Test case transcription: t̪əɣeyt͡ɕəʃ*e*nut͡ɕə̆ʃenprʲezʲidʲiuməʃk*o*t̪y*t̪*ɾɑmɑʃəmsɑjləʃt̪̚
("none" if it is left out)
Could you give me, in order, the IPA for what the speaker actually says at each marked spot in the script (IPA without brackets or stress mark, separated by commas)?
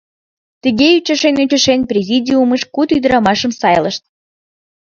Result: e, u, d̪